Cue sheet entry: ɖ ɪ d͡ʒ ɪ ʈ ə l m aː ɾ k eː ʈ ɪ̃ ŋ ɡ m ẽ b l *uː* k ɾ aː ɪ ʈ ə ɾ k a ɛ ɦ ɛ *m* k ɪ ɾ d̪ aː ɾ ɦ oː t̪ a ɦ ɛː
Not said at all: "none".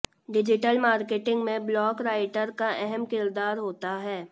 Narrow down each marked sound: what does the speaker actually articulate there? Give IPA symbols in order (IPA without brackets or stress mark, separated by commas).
ɔː, m